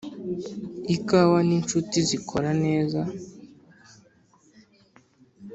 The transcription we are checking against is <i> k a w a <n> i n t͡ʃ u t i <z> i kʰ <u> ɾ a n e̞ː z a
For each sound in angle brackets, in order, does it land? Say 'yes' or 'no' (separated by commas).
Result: yes, yes, yes, no